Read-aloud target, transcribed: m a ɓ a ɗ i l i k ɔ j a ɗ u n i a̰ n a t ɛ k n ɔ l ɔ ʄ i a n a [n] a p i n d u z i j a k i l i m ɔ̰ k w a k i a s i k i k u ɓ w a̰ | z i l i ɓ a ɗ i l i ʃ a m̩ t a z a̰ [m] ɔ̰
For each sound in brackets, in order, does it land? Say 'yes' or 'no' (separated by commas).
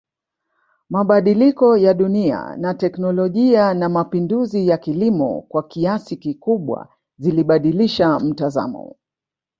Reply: no, yes